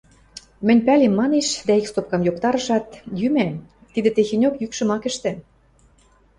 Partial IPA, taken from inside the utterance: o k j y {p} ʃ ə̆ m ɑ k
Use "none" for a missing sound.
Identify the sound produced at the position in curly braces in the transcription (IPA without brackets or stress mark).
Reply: k